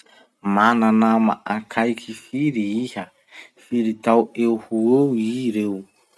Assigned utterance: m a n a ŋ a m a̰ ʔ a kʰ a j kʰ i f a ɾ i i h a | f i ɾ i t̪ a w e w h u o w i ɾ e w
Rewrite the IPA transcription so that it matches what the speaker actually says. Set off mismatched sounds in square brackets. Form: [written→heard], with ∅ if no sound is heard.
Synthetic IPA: m a n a [ŋ→n] a m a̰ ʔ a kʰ a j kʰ i f [a→i] ɾ i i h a | f i ɾ i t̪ a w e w h u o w i ɾ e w